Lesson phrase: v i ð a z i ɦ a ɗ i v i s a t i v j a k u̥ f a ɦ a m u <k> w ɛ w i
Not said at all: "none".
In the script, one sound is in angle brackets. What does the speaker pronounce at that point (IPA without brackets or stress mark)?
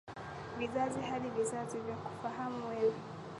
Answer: none